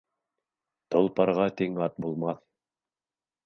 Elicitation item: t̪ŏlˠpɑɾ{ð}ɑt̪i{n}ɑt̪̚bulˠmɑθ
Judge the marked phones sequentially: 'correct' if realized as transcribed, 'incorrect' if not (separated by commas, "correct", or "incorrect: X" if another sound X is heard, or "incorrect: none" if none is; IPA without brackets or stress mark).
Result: incorrect: ʁ, incorrect: ŋ